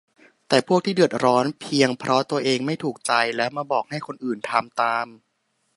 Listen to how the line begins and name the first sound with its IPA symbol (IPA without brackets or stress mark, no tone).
t̪